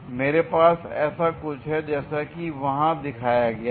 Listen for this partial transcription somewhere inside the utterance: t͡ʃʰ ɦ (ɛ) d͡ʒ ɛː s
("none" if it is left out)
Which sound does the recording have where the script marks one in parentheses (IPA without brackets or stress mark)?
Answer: ɛ